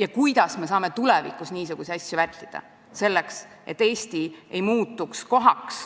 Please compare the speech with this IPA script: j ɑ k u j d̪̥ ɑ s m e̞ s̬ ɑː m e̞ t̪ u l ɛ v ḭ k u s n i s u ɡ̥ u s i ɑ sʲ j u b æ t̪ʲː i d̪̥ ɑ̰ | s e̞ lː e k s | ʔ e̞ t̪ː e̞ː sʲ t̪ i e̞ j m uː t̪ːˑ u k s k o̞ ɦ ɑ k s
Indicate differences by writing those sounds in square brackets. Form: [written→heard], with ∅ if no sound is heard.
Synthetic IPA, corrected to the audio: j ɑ k u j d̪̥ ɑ s m e̞ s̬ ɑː m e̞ t̪ u l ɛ v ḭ k u s n [i→iː] s u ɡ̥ u s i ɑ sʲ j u [b→v] æ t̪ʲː i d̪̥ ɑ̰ | s e̞ lː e k s | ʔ e̞ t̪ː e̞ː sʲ t̪ i e̞ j m uː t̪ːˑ u k s k o̞ ɦ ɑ k s

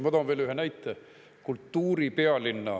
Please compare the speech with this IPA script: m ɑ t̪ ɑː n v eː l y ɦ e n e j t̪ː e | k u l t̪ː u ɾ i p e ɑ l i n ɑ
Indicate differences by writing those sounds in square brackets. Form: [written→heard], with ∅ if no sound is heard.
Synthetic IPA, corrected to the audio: m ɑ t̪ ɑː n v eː l y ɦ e n [e→æ] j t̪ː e | k u l t̪ː [u→uː] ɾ i p e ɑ l i [n→nː] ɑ

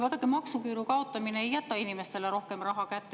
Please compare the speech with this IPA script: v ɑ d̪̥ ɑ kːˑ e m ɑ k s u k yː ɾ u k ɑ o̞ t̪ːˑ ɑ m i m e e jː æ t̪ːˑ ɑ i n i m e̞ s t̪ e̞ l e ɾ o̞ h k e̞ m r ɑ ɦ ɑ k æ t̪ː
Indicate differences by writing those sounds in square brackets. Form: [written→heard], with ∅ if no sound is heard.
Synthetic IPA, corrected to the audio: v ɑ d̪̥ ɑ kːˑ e m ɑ k s u k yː ɾ u k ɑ o̞ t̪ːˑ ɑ m i [m→n] e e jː æ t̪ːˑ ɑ i n i m e̞ s t̪ e̞ l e ɾ o̞ h k e̞ m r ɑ ɦ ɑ k æ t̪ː

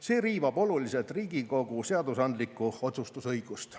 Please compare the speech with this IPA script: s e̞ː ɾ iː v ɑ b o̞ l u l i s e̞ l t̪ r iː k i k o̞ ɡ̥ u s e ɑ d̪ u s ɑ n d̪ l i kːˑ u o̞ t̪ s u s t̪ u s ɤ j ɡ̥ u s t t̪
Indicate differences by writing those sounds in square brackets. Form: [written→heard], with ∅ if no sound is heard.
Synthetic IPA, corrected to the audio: s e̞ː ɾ iː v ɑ b o̞ l u l i s e̞ l t̪ r iː [k→ɡ] i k o̞ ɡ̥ u s e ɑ d̪ u s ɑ n d̪ l i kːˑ u o̞ t̪ s u s t̪ u s ɤ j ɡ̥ u s t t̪

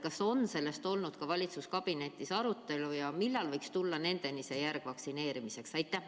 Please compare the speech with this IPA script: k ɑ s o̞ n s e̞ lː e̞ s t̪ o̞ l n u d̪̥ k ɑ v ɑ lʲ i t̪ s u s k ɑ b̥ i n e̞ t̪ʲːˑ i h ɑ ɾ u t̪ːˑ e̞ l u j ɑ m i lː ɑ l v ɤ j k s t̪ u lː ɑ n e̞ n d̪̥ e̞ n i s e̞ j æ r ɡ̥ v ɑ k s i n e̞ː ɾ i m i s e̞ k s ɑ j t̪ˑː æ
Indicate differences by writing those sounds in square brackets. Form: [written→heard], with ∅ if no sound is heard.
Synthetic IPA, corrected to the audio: k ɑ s o̞ n s e̞ lː e̞ s t̪ o̞ l n u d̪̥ k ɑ v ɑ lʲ i t̪ s u s k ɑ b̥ i n e̞ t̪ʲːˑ i [h→s] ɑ ɾ u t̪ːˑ e̞ l u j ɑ m i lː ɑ l v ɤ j k s t̪ u lː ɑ n e̞ n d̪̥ e̞ n i s e̞ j æ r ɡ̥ v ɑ k s i n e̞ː ɾ i m i s e̞ k s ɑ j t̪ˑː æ

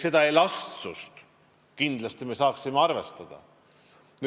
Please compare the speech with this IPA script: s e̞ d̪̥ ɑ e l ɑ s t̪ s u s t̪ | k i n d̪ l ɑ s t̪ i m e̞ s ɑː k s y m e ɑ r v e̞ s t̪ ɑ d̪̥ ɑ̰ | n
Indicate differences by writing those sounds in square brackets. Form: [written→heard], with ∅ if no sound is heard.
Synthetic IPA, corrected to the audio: s e̞ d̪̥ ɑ e l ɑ s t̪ s u s t̪ | k i n d̪ l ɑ s t̪ i m e̞ s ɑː k s [y→i] m e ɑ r v e̞ s t̪ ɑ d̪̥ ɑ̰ | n

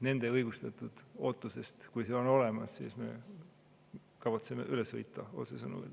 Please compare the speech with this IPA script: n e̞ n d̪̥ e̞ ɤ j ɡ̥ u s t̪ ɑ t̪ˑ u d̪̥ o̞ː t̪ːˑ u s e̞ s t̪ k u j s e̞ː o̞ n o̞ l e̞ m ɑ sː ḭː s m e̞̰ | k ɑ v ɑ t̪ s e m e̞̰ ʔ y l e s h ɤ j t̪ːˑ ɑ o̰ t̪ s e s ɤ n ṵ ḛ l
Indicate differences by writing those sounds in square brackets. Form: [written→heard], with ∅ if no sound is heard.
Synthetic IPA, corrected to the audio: n e̞ n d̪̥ e̞ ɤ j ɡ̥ u s t̪ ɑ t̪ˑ u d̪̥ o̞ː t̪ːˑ u s e̞ s t̪ k u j s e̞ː o̞ n o̞ l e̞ m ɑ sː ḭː s m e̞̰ | k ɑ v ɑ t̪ s e m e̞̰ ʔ y l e s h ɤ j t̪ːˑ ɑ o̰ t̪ s e s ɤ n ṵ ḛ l

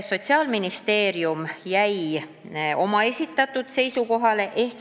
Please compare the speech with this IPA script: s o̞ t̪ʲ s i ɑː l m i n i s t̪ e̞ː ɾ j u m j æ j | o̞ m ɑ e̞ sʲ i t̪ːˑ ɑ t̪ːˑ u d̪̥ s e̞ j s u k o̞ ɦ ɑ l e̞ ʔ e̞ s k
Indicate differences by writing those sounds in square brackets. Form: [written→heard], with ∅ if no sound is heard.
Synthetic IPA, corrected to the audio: s o̞ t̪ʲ s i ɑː l m i n i s t̪ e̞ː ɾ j u m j æ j | o̞ m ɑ e̞ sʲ i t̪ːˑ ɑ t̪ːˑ u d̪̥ s e̞ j s u k o̞ ɦ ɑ l e̞ ʔ e̞ [s→h] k

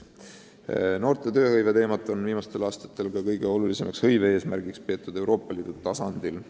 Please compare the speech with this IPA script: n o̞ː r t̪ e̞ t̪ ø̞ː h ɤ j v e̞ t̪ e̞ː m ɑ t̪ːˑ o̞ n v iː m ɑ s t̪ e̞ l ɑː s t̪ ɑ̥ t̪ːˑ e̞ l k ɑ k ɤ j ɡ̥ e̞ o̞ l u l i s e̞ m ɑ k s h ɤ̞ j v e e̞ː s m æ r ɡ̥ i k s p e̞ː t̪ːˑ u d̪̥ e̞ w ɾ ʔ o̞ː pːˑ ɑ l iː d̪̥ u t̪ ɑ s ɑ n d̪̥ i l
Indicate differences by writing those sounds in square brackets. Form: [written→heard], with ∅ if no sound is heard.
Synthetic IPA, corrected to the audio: n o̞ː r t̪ e̞ t̪ ø̞ː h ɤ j v e̞ t̪ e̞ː m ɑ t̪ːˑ o̞ n v iː m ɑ s t̪ e̞ l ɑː s t̪ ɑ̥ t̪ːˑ e̞ l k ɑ k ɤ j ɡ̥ e̞ o̞ l u l i s e̞ m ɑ k s h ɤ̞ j v e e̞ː s m æ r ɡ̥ i k s p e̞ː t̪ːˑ u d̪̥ e̞ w ɾ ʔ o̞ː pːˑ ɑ l iː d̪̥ u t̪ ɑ s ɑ n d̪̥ i l

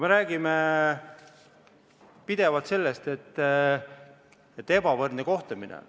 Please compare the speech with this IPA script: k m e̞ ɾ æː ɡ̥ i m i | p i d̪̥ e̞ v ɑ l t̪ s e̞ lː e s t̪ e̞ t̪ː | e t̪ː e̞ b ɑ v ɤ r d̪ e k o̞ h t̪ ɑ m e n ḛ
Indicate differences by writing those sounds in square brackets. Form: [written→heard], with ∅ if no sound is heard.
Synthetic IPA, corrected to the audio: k m e̞ ɾ æː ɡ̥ i m [i→e] | p i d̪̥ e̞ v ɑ l t̪ s e̞ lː e s t̪ e̞ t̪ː | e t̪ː e̞ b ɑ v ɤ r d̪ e k o̞ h t̪ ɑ m [e→i] n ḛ

